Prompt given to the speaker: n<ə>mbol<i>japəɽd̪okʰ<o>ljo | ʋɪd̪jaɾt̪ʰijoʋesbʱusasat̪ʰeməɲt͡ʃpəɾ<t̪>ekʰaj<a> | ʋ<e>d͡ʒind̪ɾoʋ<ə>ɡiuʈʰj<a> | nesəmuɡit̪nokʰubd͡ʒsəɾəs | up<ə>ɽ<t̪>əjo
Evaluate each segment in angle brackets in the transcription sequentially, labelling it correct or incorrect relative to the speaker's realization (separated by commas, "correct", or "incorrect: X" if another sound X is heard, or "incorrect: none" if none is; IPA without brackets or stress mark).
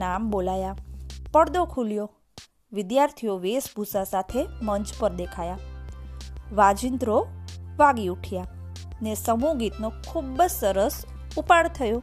incorrect: a, incorrect: a, incorrect: u, incorrect: d̪, correct, incorrect: a, incorrect: a, correct, incorrect: a, incorrect: t̪ʰ